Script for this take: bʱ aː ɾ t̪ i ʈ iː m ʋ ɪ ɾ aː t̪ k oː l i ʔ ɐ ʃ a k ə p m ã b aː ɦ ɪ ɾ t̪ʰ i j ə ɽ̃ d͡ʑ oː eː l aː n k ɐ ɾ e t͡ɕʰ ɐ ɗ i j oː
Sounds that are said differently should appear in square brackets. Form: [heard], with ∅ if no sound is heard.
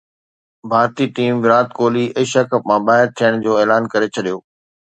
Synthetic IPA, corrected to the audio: bʱ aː ɾ t̪ i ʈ iː m ʋ ɪ ɾ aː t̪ k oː l i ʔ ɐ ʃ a k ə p m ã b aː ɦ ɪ ɾ t̪ʰ i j ə ɽ̃ d͡ʑ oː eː l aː n k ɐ ɾ e t͡ɕʰ ɐ ɗ i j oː